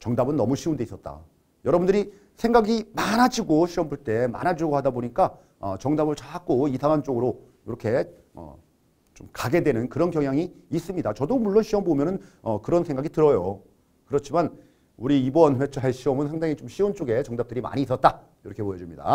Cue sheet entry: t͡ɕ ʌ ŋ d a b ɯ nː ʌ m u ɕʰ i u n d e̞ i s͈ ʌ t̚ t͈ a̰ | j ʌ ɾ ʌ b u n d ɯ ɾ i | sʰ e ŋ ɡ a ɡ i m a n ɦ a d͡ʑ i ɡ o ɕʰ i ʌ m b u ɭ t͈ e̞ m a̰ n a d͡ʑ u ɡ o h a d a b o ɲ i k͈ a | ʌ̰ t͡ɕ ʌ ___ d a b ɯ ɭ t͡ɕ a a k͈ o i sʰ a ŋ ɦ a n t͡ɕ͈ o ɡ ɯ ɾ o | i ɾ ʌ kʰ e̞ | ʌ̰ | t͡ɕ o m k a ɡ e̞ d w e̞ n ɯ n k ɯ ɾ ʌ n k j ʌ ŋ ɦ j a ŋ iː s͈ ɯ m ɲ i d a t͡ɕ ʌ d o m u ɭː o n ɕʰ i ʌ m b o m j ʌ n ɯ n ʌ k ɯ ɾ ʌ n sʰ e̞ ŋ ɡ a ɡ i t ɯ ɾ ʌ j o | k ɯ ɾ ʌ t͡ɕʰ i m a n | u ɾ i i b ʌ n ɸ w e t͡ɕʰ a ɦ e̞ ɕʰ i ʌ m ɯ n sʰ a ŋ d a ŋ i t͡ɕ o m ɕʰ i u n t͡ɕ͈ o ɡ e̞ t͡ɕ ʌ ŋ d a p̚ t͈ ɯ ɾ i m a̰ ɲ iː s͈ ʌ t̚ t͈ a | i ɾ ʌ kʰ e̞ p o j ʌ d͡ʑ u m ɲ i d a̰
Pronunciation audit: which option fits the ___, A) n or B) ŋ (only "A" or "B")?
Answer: B